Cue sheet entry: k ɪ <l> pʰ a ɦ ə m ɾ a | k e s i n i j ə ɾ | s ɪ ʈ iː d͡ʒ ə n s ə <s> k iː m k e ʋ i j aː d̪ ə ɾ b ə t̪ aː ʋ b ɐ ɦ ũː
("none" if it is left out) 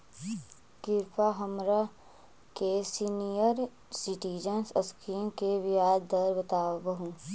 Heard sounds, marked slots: ɾ, s

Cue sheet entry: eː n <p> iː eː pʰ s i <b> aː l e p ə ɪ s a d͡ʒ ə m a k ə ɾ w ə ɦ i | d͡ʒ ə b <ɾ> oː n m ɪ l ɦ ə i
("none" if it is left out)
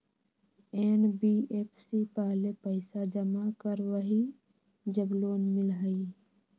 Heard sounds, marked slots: b, p, l

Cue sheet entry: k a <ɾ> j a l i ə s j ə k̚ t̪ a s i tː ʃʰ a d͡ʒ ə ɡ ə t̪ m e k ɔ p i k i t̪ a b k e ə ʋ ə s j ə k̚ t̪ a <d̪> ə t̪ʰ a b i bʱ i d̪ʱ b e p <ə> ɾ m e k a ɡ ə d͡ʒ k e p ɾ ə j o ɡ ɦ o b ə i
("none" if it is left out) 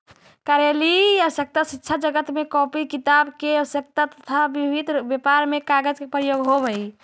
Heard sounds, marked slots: ɾ, t̪, a

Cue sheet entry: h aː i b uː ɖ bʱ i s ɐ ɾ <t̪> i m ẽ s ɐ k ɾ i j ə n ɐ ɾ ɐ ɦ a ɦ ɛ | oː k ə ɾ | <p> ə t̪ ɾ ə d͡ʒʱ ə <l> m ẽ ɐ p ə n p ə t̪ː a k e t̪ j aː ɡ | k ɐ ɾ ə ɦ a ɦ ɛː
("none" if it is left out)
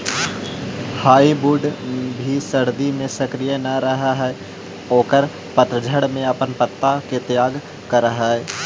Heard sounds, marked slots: d̪, p, ɽ

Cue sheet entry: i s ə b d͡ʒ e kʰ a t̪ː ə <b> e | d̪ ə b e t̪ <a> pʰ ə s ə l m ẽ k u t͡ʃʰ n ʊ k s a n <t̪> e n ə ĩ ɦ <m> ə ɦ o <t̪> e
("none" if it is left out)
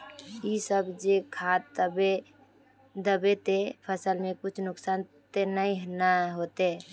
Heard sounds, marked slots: b, e, t̪, n, t̪

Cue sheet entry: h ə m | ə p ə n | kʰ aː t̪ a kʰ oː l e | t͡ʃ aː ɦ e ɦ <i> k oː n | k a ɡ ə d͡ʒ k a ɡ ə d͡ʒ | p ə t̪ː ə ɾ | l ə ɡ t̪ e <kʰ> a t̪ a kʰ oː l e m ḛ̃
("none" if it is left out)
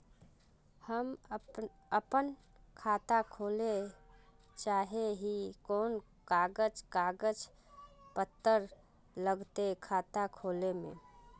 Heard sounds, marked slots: i, kʰ

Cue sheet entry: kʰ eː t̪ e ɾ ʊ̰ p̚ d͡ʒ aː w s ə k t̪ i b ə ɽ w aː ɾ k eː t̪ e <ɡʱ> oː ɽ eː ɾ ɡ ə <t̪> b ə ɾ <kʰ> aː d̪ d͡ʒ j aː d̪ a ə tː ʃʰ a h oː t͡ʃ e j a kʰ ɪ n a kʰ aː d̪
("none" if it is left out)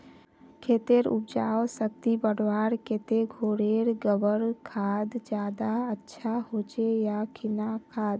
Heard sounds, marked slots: ɡʱ, none, kʰ

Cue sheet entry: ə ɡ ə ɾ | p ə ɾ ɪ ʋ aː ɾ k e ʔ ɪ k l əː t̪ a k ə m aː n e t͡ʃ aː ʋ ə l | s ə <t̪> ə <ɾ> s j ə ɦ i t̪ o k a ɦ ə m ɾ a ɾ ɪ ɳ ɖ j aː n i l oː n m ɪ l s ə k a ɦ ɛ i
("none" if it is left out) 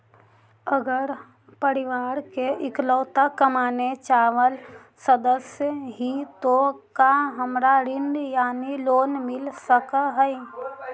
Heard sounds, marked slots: d̪, none

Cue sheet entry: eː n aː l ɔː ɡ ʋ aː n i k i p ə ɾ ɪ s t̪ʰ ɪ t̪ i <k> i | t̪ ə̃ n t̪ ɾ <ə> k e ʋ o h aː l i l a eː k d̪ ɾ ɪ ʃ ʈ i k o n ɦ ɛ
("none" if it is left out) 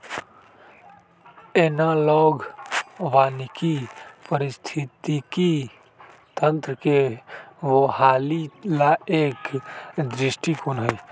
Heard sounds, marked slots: k, ə

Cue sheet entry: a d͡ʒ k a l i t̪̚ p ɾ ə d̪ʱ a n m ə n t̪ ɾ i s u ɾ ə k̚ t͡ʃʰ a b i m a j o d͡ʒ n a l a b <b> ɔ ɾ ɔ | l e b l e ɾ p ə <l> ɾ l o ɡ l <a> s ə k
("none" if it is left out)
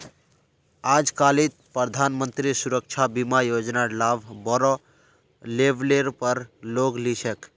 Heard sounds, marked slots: b, none, i

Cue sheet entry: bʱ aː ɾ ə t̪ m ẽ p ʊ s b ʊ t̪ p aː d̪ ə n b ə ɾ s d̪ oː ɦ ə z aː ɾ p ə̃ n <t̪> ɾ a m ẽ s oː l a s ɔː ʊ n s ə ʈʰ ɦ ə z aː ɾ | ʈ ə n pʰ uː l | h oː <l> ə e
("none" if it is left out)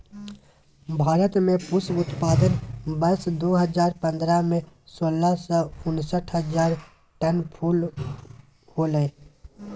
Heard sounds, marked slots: d̪, l

